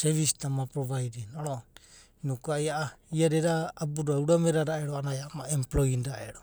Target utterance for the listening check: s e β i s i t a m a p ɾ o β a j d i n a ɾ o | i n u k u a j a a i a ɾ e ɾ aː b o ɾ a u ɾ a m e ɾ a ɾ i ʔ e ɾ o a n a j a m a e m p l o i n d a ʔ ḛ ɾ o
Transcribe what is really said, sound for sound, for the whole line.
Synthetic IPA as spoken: s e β i s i t a m a p ɾ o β a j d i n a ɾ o | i n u k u a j a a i a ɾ e ɾ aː b u ɾ a u ɾ a m e ɾ a ɾ a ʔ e ɾ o a n a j a m a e m p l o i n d a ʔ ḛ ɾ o